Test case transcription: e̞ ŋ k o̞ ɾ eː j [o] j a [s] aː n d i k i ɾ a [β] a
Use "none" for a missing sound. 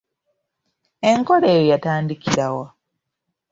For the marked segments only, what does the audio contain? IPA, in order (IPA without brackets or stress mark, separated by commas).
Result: o, t, w